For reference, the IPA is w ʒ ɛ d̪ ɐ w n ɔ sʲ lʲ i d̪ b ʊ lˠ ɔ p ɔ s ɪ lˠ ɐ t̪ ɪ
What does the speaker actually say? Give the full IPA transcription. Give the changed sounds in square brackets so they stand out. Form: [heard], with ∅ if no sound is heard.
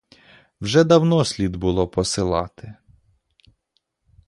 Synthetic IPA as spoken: w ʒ ɛ d̪ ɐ w n ɔ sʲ lʲ i d̪ b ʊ lˠ ɔ p ɔ s ɪ lˠ [ɑ] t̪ ɪ